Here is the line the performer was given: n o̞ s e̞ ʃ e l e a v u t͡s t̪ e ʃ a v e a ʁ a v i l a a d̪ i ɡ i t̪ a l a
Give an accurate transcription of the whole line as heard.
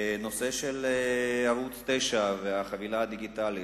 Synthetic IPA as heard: n o̞ s e̞ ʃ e l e a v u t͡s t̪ e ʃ a v e a χ a v i l a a d̪ i ɡ i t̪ a l i